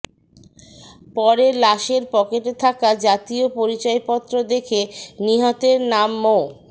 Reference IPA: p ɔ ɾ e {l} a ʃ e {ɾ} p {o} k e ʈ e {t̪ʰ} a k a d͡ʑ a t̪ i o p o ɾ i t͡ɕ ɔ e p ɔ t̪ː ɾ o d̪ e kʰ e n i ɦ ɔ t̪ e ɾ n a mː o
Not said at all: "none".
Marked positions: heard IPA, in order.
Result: l, ɾ, ɔ, t̪ʰ

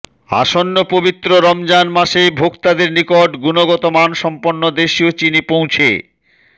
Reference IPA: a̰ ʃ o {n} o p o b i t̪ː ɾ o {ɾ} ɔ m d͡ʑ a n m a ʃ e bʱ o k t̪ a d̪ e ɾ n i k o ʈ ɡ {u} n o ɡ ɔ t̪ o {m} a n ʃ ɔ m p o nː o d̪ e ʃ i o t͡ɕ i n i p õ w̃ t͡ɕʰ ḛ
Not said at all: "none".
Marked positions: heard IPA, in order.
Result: nː, ɾ, u, m

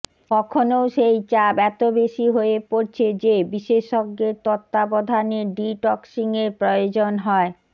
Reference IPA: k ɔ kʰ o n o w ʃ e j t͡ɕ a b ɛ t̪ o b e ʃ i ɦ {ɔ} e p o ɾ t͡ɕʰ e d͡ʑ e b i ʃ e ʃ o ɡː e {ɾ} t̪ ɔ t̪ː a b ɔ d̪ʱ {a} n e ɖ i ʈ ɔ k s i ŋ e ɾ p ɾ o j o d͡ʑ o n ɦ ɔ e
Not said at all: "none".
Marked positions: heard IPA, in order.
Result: o, ɾ, a

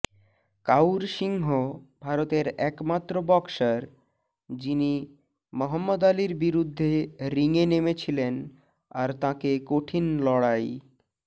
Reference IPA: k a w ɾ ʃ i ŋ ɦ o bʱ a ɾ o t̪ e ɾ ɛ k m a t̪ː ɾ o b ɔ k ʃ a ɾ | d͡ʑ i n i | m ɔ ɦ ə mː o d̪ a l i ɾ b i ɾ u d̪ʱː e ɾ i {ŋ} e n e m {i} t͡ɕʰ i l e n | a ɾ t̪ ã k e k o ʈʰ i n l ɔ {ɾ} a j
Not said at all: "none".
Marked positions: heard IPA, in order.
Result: ŋ, e, ɽ

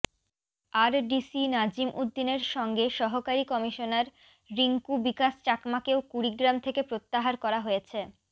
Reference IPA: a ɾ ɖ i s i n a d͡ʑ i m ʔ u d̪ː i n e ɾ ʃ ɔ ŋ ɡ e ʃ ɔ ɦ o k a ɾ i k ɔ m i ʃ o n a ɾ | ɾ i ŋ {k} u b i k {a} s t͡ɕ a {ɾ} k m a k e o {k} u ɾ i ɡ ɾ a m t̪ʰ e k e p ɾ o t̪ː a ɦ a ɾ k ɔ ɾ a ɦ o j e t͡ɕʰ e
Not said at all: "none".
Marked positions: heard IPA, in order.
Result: k, a, none, k

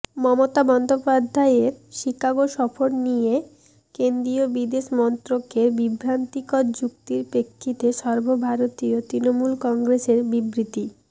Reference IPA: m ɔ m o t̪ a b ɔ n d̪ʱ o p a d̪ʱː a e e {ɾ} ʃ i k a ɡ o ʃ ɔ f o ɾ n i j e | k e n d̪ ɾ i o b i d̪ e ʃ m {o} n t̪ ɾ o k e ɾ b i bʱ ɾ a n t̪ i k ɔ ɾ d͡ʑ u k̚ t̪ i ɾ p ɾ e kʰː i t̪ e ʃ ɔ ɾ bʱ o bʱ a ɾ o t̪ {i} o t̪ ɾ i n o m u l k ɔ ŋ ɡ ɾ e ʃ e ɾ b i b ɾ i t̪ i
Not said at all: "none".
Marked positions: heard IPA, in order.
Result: ɾ, ɔ, i

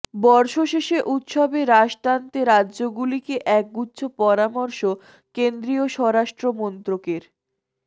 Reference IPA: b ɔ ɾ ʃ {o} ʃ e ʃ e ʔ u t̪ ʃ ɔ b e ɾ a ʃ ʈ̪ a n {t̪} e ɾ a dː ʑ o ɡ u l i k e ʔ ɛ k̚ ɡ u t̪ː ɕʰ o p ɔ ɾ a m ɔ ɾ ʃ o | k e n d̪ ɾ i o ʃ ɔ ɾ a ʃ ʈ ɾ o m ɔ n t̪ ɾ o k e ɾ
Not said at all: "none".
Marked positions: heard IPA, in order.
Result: o, t̪

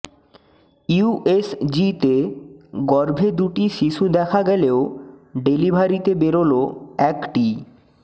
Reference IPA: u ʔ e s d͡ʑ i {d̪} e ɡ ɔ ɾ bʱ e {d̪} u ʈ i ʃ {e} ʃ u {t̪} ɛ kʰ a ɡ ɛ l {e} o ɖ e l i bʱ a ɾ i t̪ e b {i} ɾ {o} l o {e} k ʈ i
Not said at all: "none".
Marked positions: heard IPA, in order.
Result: t̪, d̪, i, d̪, e, e, o, ɛ

